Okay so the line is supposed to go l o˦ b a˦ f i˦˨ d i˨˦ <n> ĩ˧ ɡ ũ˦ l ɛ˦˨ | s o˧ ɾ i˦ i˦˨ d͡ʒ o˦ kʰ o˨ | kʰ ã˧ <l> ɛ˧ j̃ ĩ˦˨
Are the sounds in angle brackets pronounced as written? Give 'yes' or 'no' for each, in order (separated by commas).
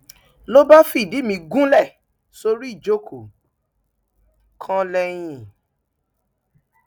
no, yes